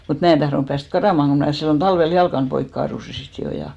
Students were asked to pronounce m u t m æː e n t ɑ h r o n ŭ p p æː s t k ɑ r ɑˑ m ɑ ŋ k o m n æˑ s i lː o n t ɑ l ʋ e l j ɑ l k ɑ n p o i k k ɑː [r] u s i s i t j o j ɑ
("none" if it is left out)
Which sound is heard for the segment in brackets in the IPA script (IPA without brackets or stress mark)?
r